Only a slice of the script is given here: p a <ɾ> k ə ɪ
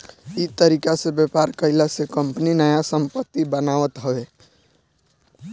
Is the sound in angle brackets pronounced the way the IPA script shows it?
yes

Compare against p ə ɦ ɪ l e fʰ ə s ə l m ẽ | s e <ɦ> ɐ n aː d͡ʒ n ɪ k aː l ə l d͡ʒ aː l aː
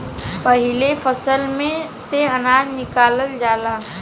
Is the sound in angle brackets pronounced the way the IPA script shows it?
no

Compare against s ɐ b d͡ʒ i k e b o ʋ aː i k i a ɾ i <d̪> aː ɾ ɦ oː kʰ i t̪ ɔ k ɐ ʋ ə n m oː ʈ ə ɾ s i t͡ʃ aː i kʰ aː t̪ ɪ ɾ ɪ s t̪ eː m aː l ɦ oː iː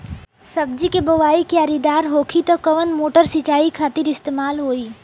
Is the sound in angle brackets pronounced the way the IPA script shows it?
yes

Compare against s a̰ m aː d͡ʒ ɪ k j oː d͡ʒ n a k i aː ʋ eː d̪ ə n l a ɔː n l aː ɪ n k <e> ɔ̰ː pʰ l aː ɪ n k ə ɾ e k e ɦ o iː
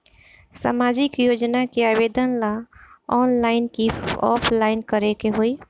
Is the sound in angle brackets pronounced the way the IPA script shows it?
no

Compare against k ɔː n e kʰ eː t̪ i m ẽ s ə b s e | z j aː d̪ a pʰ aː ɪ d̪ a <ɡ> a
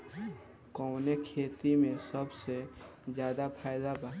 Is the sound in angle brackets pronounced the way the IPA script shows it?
no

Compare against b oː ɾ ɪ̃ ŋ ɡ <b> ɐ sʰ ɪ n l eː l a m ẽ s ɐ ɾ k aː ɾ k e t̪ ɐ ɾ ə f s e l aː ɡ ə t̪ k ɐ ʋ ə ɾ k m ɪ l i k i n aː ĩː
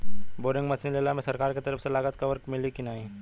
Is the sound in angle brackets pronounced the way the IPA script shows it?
no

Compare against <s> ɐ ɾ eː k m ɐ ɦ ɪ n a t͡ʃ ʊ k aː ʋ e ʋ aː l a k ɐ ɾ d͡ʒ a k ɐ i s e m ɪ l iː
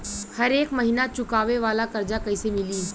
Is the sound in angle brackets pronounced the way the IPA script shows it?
no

